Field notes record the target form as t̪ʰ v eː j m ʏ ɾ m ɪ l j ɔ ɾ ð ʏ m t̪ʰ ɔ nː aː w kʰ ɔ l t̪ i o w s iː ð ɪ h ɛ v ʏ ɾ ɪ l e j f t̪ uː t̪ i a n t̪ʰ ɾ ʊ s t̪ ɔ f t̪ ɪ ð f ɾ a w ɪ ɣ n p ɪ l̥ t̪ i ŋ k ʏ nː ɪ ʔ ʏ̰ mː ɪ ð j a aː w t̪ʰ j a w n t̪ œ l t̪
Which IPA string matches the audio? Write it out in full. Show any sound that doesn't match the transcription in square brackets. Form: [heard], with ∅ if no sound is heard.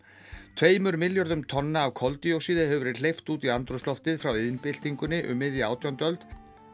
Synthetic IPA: t̪ʰ v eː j m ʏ ɾ m ɪ l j ɔ ɾ ð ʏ m t̪ʰ ɔ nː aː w kʰ ɔ l t̪ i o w s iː ð ɪ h ɛ v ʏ ɾ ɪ l e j f t̪ uː t̪ i a n [t̪] ɾ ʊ s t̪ ɔ f t̪ ɪ ð f ɾ a w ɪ [ð] n p ɪ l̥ t̪ i ŋ k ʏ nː ɪ ʔ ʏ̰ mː ɪ ð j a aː w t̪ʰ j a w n t̪ œ l t̪